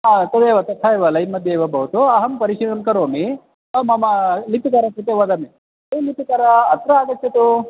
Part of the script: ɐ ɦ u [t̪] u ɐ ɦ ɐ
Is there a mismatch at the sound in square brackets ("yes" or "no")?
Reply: no